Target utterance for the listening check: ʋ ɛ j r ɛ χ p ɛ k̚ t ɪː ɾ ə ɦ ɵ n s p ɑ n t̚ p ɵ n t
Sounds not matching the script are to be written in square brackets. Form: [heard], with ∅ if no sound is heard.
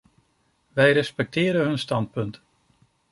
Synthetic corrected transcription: ʋ ɛ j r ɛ [s] p ɛ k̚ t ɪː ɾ ə ɦ ɵ n s [t] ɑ n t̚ p ɵ n t